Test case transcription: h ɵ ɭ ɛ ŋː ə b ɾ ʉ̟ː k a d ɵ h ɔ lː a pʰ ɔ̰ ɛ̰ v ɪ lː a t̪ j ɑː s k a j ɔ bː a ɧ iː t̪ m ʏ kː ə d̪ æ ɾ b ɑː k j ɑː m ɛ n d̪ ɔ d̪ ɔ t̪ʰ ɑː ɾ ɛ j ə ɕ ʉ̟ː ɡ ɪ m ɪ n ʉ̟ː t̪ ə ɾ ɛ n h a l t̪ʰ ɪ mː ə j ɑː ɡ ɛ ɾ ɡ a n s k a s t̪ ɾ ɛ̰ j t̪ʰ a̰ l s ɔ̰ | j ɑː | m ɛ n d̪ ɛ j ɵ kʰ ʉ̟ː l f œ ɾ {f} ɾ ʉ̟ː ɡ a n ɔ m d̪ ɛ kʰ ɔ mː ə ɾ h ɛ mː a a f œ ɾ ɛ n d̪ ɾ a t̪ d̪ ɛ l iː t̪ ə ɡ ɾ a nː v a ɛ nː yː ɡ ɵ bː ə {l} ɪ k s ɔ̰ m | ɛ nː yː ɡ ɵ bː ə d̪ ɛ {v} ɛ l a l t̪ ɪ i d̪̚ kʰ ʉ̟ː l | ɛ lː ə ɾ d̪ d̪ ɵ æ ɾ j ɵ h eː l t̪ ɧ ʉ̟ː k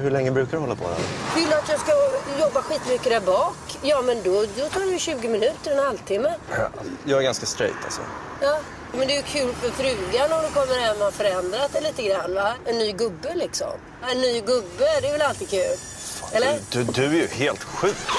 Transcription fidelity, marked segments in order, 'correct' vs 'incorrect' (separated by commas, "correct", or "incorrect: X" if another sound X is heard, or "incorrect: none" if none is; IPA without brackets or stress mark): correct, correct, correct